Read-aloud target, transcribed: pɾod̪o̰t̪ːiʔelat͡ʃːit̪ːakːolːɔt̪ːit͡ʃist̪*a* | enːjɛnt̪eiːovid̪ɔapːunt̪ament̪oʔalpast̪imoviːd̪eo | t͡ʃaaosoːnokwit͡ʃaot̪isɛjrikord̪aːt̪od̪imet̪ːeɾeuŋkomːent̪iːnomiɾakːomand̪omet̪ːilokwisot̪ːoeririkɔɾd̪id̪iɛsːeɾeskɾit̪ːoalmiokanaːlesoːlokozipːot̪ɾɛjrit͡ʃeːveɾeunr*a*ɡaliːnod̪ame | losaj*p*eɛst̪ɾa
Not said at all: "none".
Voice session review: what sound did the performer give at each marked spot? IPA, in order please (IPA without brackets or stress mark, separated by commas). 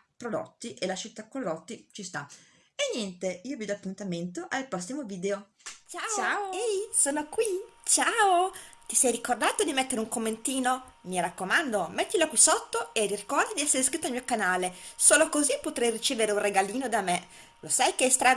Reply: a, e, k